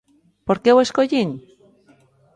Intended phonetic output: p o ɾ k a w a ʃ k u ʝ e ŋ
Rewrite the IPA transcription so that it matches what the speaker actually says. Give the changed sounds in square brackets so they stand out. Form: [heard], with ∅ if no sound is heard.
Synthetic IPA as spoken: p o ɾ k [e] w [e] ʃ k [o] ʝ [i] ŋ